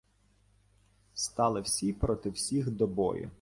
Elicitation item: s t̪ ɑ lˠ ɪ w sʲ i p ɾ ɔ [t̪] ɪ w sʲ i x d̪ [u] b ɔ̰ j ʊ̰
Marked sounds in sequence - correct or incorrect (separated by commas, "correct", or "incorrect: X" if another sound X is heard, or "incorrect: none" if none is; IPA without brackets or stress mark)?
correct, incorrect: ɔ